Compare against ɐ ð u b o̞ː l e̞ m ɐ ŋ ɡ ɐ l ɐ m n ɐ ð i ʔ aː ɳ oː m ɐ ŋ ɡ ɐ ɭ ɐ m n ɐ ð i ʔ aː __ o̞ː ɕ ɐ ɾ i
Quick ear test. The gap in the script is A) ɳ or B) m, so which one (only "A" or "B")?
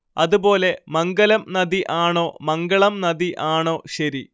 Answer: A